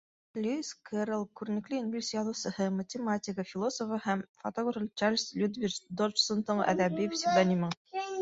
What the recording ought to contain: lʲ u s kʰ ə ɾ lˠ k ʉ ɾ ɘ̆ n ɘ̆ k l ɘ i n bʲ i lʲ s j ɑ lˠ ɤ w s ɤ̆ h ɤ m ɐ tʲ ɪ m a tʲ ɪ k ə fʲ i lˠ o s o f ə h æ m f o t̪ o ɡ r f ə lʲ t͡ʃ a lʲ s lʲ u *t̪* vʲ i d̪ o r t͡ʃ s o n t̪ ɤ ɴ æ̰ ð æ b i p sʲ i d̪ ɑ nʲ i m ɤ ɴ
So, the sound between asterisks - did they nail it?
no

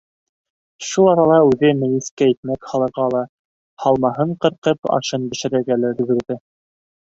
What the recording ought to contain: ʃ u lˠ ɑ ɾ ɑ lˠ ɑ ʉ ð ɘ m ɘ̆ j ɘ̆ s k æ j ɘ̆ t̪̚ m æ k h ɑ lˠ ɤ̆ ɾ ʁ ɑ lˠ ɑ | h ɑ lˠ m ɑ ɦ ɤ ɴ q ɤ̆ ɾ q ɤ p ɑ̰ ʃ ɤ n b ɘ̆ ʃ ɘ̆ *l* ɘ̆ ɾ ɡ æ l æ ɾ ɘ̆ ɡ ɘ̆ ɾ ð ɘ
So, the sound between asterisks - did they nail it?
no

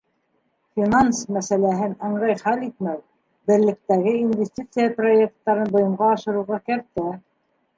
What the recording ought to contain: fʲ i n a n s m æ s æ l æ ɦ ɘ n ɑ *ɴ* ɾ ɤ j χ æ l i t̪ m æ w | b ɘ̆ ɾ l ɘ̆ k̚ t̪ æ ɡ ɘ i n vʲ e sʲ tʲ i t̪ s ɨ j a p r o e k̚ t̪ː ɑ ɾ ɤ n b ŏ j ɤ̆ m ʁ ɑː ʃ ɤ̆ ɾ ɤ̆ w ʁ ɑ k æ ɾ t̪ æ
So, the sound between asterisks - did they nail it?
yes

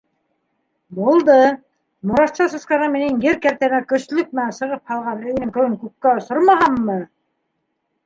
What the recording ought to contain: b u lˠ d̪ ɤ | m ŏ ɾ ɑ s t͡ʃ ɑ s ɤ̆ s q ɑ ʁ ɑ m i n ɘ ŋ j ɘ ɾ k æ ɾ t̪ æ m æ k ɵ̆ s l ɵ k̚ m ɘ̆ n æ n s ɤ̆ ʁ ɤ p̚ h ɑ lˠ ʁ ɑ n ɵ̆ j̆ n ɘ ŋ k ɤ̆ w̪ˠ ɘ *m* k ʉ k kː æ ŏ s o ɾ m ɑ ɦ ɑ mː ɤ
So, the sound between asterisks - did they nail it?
no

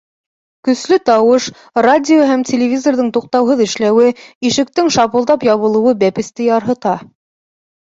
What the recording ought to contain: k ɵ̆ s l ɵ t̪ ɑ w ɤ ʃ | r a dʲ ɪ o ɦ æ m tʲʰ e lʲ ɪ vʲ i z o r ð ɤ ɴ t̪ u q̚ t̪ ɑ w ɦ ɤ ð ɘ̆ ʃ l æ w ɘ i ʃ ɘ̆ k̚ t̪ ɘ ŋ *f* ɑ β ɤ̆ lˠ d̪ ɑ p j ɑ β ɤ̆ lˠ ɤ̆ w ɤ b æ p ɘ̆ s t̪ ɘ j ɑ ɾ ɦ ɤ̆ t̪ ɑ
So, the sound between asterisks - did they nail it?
no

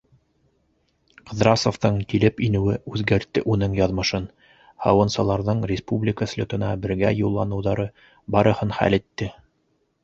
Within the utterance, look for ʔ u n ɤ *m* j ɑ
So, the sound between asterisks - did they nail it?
no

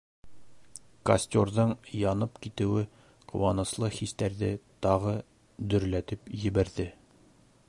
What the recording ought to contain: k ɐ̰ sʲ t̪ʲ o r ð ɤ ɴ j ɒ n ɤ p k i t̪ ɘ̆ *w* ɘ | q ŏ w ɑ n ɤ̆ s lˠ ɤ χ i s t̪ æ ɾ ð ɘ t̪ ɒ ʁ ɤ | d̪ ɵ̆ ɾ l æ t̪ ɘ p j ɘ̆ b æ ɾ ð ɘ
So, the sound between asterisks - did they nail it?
yes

